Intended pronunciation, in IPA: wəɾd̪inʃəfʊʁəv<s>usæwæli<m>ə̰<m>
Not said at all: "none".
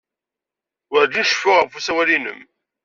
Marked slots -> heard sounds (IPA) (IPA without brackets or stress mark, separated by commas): f, n, m